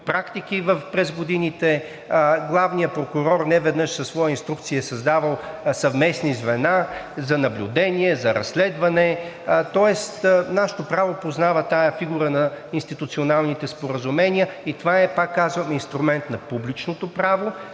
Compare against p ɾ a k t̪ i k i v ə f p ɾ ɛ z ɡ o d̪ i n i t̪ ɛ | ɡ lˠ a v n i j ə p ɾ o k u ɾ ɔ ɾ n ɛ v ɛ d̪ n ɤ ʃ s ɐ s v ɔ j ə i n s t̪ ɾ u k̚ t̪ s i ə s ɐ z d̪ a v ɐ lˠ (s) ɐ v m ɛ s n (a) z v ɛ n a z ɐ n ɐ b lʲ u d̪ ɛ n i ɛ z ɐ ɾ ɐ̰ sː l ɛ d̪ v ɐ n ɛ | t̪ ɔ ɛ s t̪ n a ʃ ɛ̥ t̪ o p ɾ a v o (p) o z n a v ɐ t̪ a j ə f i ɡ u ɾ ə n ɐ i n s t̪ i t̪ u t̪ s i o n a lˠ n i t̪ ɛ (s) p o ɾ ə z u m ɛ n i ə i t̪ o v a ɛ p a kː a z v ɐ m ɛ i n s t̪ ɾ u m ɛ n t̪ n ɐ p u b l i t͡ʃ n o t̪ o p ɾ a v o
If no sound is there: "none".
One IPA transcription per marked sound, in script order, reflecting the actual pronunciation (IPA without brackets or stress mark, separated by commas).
s, i, p, s